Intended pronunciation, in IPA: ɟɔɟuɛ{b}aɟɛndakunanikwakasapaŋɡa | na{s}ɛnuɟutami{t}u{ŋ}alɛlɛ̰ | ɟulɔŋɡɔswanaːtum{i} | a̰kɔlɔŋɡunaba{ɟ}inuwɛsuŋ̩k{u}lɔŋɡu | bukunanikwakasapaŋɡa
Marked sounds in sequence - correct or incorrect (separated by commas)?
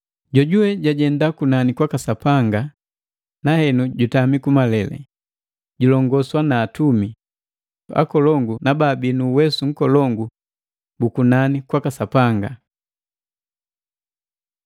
incorrect, incorrect, incorrect, incorrect, correct, incorrect, incorrect